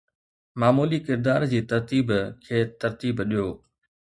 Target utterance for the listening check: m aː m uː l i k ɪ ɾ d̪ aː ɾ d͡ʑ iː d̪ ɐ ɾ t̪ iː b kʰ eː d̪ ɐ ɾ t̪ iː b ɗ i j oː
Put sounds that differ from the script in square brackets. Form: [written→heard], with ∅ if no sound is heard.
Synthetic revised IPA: m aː m uː l i k ɪ ɾ d̪ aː ɾ d͡ʑ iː [d̪→t̪] ɐ ɾ t̪ iː b kʰ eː [d̪→t̪] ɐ ɾ t̪ iː b ɗ i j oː